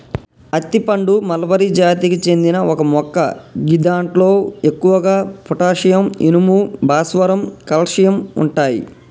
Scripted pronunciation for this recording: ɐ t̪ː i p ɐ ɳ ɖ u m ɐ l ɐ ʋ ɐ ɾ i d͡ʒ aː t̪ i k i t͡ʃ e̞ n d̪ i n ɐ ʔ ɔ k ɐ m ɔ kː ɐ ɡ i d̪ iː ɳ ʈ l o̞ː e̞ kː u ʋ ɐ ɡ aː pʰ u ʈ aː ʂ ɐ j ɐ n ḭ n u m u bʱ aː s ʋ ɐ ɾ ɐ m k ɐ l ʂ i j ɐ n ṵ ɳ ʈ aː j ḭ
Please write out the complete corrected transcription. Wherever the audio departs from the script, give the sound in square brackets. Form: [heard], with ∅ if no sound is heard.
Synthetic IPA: ɐ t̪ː i p ɐ ɳ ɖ u m ɐ l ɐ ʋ ɐ ɾ i d͡ʒ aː t̪ i k i t͡ʃ e̞ n d̪ i n ɐ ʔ ɔ k ɐ m ɔ kː ɐ ɡ i d̪ [aː] ɳ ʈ l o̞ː e̞ kː u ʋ ɐ ɡ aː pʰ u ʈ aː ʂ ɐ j ɐ [m] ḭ n u m u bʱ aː s ʋ ɐ ɾ ɐ m k ɐ l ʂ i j ɐ [m] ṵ ɳ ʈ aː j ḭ

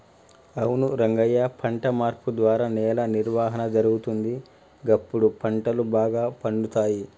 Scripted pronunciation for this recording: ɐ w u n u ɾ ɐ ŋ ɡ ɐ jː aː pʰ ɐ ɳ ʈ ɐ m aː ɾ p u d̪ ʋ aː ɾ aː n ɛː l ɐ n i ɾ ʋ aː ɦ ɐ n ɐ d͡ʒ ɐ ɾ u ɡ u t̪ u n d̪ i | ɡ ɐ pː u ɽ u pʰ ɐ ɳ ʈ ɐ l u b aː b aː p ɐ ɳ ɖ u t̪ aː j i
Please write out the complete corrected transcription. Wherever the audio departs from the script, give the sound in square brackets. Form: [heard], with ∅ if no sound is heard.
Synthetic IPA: ɐ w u n u ɾ ɐ ŋ ɡ ɐ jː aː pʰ ɐ ɳ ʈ ɐ m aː ɾ p u d̪ ʋ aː ɾ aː n ɛː l ɐ n i ɾ ʋ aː ɦ ɐ n ɐ d͡ʒ ɐ ɾ u ɡ u t̪ u n d̪ i | ɡ ɐ pː u ɽ u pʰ ɐ ɳ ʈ ɐ l u b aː [ɡ] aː p ɐ ɳ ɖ u t̪ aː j i

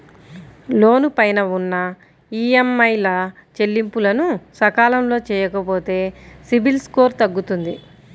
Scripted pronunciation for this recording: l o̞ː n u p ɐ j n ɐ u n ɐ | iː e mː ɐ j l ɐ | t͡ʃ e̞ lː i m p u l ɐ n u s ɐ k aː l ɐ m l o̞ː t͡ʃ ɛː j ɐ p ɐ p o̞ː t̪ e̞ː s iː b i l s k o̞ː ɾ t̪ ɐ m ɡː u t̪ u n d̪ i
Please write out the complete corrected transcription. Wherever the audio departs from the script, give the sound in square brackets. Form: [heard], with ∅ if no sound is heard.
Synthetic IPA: l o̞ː n u p ɐ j n ɐ u [nː] ɐ | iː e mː ɐ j l ɐ | t͡ʃ e̞ lː i m p u l ɐ n u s ɐ k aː l ɐ m l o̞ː t͡ʃ ɛː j ɐ [k] ɐ p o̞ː t̪ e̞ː s [i] b i l s k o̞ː ɾ t̪ ɐ [∅] ɡː u t̪ u n d̪ i

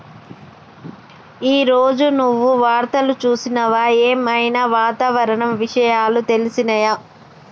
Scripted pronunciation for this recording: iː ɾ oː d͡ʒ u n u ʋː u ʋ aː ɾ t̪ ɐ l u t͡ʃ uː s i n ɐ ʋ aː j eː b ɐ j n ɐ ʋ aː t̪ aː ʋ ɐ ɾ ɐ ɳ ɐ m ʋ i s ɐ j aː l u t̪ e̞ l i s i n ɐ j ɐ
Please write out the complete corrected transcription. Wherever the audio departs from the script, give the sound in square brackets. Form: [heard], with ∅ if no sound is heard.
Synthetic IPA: iː ɾ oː d͡ʒ u n u ʋː u ʋ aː ɾ t̪ ɐ l u t͡ʃ uː s i n ɐ ʋ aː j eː [m] ɐ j n ɐ ʋ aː t̪ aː ʋ ɐ ɾ ɐ ɳ ɐ m ʋ i [ʂ] ɐ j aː l u t̪ e̞ l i s i n ɐ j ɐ

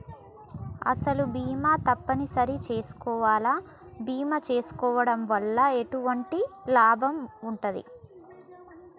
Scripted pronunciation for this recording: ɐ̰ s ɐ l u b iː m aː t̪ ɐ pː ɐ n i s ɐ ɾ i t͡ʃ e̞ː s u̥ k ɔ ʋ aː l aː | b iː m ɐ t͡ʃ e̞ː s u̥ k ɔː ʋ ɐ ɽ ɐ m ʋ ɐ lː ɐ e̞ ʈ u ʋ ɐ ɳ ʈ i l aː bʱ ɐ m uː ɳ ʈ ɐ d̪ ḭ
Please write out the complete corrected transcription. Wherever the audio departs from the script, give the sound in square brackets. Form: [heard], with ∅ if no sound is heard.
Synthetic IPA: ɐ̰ s ɐ l u b iː m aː t̪ ɐ pː ɐ n i s ɐ ɾ i t͡ʃ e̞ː s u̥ k [ɔː] ʋ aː l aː | b iː m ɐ t͡ʃ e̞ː s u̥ k ɔː ʋ ɐ ɽ ɐ m ʋ ɐ lː ɐ e̞ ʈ u ʋ ɐ ɳ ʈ i l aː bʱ ɐ m [u] ɳ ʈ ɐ d̪ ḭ

